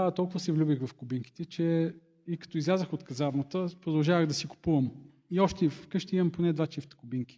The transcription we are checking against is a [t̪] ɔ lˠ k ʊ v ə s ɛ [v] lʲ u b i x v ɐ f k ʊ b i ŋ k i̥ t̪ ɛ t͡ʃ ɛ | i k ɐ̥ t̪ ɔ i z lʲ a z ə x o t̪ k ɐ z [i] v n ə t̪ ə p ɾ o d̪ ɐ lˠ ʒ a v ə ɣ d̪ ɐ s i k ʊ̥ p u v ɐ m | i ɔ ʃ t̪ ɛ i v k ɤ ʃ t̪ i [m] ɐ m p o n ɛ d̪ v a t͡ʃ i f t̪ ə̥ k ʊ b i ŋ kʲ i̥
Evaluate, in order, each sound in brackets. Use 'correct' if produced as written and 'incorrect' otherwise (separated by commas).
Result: correct, correct, incorrect, correct